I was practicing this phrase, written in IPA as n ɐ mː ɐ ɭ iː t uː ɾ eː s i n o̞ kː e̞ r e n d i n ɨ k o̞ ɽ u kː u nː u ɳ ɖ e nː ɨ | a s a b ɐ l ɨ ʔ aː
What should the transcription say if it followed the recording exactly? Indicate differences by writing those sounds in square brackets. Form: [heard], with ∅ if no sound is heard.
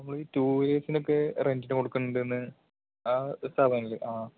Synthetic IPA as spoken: n ɐ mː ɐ ɭ iː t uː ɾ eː s i n o̞ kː e̞ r e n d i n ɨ k o̞ ɽ u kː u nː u ɳ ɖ e nː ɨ | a s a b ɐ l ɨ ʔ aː